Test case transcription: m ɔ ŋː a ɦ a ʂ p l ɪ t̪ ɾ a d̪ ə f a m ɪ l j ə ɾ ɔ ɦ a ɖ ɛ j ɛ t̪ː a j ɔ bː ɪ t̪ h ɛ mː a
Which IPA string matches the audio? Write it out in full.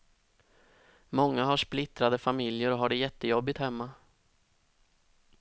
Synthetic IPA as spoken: m ɔ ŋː a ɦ a ʂ p l ɪ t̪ ɾ a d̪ ə f a m ɪ l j ə ɾ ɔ ɦ a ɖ ɛ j ɛ t̪ː ə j ɔ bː ɪ t̪ h ɛ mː a